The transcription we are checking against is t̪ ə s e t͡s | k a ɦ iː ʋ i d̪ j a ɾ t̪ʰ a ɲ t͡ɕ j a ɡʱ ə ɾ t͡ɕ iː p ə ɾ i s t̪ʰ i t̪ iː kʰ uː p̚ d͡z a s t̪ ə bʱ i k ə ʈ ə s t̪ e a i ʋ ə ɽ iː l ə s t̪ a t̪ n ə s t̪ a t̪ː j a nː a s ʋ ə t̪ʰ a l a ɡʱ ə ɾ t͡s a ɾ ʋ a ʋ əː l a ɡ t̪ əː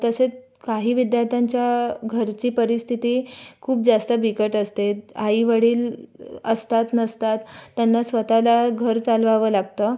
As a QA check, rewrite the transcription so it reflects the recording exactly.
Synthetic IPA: t̪ ə s e t͡s | k a ɦ iː ʋ i d̪ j a ɾ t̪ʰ a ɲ t͡ɕ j a ɡʱ ə ɾ t͡ɕ iː p ə ɾ i s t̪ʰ i t̪ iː kʰ uː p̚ d͡z a s t̪ ə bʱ i k ə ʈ ə s t̪ e a i ʋ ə ɽ iː l ə s t̪ a t̪ n ə s t̪ a t̪ː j a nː a s ʋ ə t̪ a l a ɡʱ ə ɾ t͡s a l ʋ a ʋ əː l a ɡ t̪ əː